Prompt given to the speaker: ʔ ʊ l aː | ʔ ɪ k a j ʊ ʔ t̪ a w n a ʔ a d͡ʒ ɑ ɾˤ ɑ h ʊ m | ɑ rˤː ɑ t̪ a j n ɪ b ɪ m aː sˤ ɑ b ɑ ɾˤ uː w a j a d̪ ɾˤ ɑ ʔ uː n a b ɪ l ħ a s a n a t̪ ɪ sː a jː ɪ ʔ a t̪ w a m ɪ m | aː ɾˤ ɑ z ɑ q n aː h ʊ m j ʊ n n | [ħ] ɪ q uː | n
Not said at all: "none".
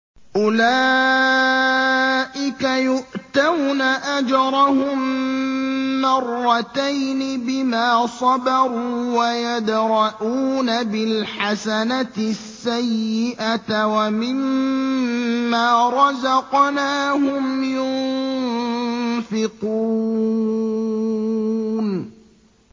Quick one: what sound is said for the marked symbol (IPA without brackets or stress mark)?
f